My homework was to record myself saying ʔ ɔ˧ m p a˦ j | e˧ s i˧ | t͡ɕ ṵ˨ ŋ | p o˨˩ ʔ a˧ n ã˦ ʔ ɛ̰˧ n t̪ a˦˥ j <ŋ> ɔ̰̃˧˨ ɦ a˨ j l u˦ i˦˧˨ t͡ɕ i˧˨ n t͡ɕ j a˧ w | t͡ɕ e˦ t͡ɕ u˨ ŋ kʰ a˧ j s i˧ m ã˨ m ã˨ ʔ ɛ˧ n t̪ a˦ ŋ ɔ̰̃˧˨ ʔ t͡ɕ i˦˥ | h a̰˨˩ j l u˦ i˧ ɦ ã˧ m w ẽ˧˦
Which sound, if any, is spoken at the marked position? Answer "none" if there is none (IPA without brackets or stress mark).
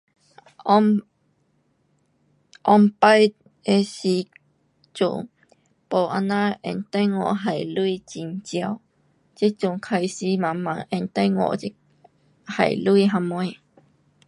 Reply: ŋ